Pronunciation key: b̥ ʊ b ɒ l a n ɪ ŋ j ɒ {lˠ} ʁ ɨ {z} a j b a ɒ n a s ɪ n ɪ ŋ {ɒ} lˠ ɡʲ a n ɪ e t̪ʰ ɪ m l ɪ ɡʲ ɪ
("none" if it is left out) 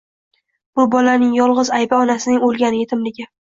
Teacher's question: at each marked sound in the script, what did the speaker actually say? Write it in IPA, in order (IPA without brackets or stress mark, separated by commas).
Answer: lˠ, z, o